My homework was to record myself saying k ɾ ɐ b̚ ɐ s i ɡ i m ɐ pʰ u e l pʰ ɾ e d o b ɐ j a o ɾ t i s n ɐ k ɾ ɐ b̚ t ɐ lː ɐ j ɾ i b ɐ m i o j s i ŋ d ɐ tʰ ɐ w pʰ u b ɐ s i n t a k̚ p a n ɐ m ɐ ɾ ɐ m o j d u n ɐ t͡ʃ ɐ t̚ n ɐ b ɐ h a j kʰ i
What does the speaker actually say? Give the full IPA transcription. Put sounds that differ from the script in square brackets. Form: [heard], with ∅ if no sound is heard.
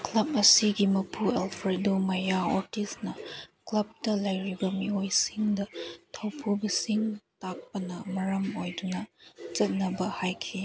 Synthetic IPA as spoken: k [l] ɐ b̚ ɐ s i ɡ i m ɐ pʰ u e l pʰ ɾ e d o [m] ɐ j a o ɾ t i s n ɐ k [l] ɐ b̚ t ɐ [l] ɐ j ɾ i b ɐ m i o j s i ŋ d ɐ tʰ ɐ w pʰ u b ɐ s i [ŋ] t a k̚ p [ɐ] n ɐ m ɐ ɾ ɐ m o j d u n ɐ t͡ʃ ɐ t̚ n ɐ b ɐ h a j kʰ i

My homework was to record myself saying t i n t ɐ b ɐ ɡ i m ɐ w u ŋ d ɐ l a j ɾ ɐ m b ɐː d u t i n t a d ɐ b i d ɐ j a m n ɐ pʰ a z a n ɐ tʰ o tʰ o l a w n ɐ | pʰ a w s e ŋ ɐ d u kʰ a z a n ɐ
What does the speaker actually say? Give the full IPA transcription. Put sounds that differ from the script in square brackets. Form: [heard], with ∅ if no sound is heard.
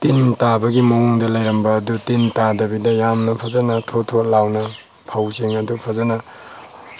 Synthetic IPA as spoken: t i n t [a] b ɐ ɡ i m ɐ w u ŋ d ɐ l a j ɾ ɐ m b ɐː d u t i n t a d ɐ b i d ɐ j a m n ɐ pʰ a z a n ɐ tʰ o tʰ o l a w n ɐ | pʰ a w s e ŋ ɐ d u [pʰ] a z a n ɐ

